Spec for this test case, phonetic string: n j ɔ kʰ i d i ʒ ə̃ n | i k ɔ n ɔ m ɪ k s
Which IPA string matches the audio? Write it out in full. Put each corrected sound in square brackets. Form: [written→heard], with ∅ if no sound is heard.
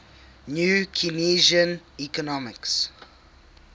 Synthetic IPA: n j [ɔ→u] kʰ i [d→n] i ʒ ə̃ n | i k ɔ n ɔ m ɪ k s